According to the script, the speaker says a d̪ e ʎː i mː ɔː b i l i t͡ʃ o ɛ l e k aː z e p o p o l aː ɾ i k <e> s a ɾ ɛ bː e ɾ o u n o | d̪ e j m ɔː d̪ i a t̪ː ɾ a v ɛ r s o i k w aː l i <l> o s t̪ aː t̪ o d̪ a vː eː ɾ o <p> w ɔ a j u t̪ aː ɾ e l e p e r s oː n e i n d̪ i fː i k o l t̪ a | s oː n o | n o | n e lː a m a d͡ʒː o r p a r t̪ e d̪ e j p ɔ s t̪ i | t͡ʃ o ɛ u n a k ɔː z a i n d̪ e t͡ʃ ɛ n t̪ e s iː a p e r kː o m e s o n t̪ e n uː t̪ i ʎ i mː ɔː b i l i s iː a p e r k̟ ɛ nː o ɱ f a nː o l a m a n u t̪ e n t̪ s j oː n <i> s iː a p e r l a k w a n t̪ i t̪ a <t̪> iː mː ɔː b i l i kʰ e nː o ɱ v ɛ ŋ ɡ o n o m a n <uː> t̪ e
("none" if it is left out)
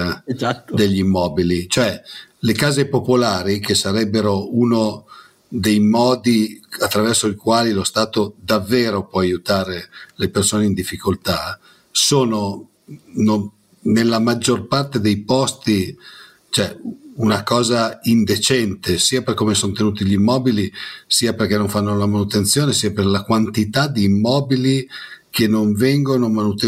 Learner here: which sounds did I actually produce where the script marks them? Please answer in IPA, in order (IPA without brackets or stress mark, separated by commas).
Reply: e, l, p, e, d̪, u